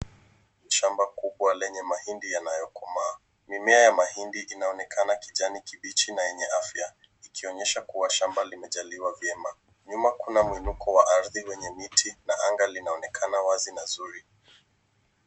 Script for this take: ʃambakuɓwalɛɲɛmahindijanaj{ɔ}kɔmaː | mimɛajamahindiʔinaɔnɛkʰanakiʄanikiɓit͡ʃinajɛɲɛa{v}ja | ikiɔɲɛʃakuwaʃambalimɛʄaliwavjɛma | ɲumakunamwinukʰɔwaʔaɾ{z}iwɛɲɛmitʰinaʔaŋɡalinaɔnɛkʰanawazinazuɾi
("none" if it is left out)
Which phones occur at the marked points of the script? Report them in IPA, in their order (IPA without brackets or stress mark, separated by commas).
ɔ, f, ð